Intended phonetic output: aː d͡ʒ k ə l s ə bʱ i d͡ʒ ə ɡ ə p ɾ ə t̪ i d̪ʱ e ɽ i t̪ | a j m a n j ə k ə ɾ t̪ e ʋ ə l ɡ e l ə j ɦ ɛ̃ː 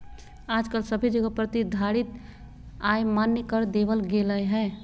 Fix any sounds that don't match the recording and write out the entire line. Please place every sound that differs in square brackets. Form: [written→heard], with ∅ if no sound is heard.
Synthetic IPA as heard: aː d͡ʒ k ə l s ə bʱ i d͡ʒ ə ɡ ə p ɾ ə t̪ i d̪ʱ [e→a] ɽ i t̪ | a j m a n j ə k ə ɾ [t̪→d̪] e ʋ ə l ɡ e l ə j ɦ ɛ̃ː